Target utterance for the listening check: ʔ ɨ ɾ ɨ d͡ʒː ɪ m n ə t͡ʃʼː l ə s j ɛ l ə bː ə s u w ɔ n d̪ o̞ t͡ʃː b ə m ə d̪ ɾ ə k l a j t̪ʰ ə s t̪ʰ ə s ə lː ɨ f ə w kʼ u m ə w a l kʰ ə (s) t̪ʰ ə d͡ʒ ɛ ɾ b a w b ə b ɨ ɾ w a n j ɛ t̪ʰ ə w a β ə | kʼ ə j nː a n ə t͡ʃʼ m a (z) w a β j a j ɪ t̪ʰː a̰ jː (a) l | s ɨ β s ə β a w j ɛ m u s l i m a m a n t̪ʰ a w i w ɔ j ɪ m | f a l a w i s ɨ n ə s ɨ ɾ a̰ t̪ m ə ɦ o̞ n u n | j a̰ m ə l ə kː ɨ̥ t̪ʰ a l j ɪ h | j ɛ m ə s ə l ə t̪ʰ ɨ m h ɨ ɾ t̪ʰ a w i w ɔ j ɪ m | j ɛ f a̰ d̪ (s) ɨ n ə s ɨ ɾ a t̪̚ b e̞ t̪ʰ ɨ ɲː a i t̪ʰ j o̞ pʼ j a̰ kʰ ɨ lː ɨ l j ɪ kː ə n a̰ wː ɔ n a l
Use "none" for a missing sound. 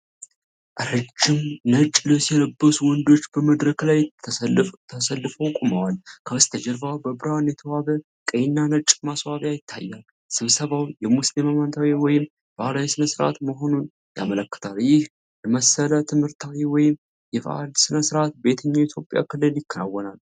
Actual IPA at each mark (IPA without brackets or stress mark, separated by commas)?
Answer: s, s, a, s